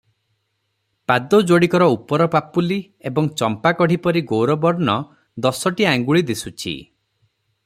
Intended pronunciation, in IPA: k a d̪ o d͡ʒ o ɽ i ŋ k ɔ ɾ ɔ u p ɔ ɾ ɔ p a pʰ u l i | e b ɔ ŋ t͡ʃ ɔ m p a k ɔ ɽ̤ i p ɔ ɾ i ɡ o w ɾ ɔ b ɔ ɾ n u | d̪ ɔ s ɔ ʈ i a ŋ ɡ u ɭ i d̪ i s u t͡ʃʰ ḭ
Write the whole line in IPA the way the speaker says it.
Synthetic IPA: p a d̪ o d͡ʒ o ɽ i k ɔ ɾ ɔ u p ɔ ɾ ɔ p a p u l i | e b ɔ ŋ t͡ʃ ɔ m p a k ɔ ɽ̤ i p ɔ ɾ i ɡ o w ɾ ɔ b ɔ ɾ n ɔ | d̪ ɔ s ɔ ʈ i a ŋ ɡ u ɭ i d̪ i s u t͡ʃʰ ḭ